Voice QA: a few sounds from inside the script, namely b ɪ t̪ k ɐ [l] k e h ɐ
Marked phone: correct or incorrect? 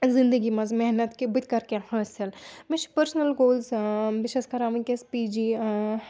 incorrect